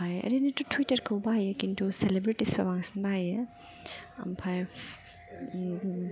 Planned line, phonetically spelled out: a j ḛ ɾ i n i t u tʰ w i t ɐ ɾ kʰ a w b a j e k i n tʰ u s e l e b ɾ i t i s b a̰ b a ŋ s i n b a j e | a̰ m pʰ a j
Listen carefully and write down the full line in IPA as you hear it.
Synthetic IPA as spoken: a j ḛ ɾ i n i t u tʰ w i t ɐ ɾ kʰ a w b a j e k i n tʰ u s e l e b ɾ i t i s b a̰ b a ŋ s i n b a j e | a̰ m pʰ a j